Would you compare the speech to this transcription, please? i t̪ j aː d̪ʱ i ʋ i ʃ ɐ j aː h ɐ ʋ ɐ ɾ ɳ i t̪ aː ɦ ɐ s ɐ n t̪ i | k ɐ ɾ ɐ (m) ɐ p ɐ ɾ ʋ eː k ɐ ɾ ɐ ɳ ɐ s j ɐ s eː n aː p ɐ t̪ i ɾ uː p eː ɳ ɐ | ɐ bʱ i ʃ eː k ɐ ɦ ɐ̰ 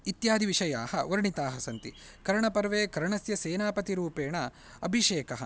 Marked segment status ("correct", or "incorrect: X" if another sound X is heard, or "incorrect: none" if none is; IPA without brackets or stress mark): incorrect: ɳ